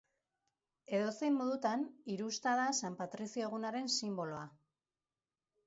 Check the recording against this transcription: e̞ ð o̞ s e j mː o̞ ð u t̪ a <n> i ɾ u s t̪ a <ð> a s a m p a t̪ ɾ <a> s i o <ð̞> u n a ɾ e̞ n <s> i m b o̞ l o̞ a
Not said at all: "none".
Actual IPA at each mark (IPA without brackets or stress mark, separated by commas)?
n, ð, i, ɣ̞, s